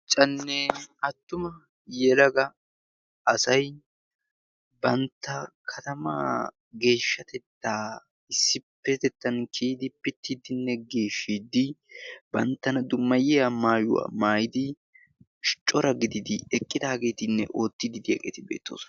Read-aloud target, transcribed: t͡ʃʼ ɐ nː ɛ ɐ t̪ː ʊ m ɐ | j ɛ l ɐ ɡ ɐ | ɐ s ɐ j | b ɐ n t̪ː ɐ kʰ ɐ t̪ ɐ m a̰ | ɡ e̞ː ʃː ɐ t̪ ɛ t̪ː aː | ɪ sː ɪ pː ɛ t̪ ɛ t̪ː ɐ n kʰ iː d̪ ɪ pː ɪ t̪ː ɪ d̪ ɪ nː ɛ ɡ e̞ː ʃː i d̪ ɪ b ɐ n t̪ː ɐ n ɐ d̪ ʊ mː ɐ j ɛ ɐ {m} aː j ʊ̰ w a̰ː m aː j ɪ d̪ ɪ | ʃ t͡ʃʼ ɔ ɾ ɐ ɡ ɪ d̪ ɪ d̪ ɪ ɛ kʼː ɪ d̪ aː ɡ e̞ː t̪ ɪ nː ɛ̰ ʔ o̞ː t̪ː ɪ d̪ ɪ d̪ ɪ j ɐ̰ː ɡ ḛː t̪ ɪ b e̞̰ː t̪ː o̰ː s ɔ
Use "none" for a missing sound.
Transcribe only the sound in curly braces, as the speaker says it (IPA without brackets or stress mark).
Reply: m